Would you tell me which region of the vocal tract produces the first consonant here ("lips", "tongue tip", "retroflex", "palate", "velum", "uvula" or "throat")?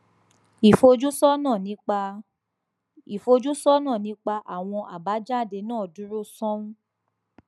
lips